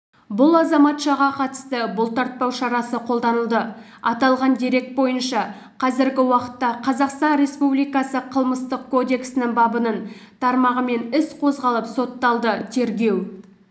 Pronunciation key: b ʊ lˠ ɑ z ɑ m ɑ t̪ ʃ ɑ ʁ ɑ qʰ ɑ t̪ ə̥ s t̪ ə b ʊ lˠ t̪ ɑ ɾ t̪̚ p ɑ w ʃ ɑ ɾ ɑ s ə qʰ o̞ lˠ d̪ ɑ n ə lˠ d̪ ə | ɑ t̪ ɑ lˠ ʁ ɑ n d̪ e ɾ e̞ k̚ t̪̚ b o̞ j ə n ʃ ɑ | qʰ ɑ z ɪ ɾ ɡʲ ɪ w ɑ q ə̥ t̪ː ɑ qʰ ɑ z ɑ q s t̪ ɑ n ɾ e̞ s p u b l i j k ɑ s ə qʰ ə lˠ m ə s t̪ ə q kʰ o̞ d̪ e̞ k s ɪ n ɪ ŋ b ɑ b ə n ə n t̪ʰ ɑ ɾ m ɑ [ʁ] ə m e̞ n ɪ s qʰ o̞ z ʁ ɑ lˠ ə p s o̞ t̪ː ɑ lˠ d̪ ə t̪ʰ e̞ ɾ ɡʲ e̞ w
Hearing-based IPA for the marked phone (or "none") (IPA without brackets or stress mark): ʁ